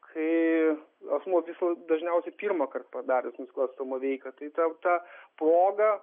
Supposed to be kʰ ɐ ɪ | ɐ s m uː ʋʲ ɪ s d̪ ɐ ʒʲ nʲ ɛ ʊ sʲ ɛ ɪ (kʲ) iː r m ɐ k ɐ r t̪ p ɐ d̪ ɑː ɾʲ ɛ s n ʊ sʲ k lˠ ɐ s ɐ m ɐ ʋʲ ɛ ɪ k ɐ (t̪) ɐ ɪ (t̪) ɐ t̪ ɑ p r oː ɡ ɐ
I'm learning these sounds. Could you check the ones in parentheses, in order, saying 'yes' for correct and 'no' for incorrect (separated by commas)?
no, yes, yes